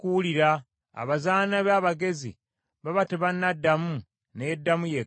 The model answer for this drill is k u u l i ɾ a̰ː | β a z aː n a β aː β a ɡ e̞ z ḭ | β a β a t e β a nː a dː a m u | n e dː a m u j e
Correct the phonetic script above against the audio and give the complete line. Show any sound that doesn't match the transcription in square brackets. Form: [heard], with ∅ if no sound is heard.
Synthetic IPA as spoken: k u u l i ɾ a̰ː | β a z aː n a β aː β a ɡ e̞ z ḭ | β a β a t e β a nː a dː a m u | n e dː a m u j e